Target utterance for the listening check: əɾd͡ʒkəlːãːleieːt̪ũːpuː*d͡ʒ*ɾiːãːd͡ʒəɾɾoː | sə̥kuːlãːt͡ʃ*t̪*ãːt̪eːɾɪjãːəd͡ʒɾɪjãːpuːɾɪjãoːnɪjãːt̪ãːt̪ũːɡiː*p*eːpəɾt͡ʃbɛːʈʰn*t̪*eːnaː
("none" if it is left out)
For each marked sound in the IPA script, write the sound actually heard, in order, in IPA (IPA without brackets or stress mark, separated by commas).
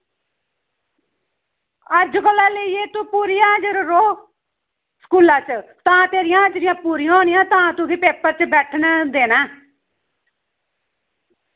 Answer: none, t̪, p, d̪